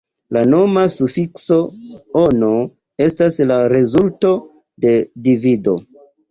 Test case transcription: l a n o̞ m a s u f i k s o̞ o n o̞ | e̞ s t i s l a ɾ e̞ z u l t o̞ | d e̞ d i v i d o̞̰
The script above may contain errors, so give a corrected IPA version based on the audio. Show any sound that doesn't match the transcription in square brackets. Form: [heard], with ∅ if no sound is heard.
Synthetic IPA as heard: l a n o̞ m a s u f i k s o̞ o n o̞ | e̞ s t [a] s l a ɾ e̞ z u l t o̞ | d e̞ d i v i d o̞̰

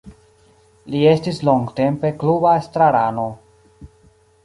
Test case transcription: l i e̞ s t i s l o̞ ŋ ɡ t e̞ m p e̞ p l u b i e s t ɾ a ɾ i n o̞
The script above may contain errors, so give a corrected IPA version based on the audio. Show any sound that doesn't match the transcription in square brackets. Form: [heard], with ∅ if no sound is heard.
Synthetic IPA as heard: l i e̞ s t i s l o̞ ŋ ɡ t e̞ m p e̞ [k] l u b [a] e s t ɾ a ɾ [a] n o̞

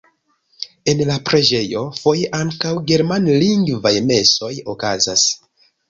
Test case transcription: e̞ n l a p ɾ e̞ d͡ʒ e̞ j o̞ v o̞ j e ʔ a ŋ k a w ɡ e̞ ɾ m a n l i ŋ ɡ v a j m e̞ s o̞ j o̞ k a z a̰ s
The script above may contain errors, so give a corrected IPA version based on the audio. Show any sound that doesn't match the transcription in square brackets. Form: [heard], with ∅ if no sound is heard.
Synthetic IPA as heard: e̞ n l a p ɾ e̞ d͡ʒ e̞ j o̞ [f] o̞ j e ʔ a ŋ k a w ɡ e̞ ɾ m a n l i ŋ ɡ v a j m e̞ s o̞ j o̞ k a z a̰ s

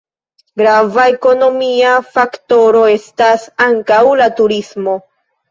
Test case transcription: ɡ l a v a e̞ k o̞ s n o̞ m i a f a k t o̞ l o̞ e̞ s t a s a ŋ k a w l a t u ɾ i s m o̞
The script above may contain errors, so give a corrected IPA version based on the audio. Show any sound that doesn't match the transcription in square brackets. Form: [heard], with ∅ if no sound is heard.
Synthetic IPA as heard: ɡ [ɾ] a v a e̞ k o̞ [∅] n o̞ m i a f a k t o̞ [ɾ] o̞ e̞ s t a s a ŋ k a w l a t u ɾ i s m o̞

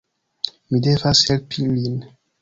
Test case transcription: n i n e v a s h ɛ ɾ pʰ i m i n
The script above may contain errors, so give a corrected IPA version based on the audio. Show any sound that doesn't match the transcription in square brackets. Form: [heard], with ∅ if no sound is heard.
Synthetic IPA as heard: [m] i [d] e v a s h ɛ [l] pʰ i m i n

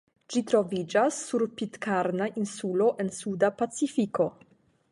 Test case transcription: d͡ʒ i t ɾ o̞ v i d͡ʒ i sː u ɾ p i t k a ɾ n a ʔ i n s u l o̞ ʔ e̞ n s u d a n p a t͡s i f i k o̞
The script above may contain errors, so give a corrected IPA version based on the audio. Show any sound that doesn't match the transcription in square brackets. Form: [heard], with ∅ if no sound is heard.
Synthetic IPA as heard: d͡ʒ i t ɾ o̞ v i d͡ʒ [a] sː u ɾ p i t k a ɾ n a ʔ i n s u l o̞ ʔ e̞ n s u d a [∅] p a t͡s i f i k o̞

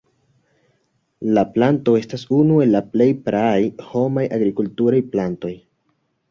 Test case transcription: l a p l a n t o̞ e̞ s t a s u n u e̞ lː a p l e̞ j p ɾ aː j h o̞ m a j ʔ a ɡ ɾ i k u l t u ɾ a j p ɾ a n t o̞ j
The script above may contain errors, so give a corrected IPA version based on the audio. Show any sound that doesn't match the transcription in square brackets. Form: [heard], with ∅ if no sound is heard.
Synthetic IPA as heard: l a p l a n t o̞ e̞ s t a s u n u e̞ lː a p l e̞ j p ɾ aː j h o̞ m a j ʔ a ɡ ɾ i k u l t u ɾ a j p [l] a n t o̞ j

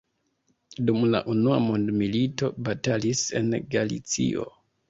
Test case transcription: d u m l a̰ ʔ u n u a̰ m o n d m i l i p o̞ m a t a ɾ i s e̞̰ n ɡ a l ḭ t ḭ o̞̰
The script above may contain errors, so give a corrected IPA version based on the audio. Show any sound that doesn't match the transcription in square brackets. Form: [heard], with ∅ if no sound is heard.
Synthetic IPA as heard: d u m l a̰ ʔ u n u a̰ m o n d m i l i [t] o̞ [b] a t a [l] i s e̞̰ n ɡ a l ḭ [t͡s] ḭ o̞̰

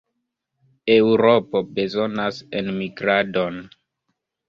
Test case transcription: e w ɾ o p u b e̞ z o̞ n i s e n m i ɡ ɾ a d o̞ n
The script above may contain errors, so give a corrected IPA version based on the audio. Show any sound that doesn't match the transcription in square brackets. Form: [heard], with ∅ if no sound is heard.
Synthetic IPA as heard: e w ɾ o p [o] b e̞ z o̞ n [a] s e n m i ɡ ɾ a d o̞ n

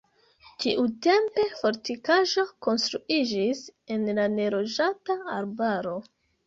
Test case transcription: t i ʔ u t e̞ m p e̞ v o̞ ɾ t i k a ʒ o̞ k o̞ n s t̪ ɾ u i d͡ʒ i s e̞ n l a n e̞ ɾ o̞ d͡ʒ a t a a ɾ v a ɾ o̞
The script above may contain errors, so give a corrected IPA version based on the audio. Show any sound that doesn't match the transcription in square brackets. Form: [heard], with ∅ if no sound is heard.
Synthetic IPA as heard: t i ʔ u t e̞ m p e̞ [f] o̞ ɾ t i k a ʒ o̞ k o̞ n s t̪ ɾ u i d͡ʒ i s e̞ n l a n e̞ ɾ o̞ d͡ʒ a t a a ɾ [b] a ɾ o̞

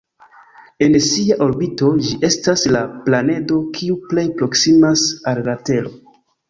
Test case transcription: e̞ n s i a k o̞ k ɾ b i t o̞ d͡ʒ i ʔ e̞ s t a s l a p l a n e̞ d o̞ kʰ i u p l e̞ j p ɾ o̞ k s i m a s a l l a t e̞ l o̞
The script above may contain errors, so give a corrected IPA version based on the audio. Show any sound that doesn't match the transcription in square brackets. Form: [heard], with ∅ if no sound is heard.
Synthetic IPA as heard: e̞ n s i a [ʔ] o̞ [∅] ɾ b i t o̞ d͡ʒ i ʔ e̞ s t a s l a p l a n e̞ d o̞ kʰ i u p l e̞ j p ɾ o̞ k s i m a s a l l a t e̞ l o̞

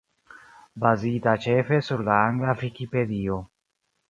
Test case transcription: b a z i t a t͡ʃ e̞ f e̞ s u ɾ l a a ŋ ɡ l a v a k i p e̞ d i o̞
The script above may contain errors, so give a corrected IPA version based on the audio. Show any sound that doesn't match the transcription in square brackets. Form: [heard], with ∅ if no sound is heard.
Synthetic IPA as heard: b a z i t a t͡ʃ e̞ f e̞ s u ɾ l a a ŋ ɡ l a v [i] k i p e̞ d i o̞

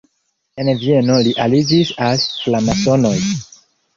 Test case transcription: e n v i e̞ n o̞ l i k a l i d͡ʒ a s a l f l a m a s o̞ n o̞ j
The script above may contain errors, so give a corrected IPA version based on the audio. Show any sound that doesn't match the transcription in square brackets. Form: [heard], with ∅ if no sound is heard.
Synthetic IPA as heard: e n v i e̞ n o̞ l i [ʔ] a l i d͡ʒ [i] s a l f l a m a s o̞ n o̞ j

